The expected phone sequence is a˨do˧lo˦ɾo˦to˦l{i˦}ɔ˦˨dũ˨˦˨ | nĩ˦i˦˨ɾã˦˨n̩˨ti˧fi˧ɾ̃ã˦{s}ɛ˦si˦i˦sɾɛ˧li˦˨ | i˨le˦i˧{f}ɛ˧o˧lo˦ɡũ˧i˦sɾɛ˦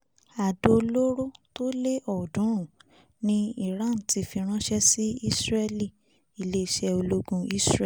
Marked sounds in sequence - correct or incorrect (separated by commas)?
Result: incorrect, incorrect, incorrect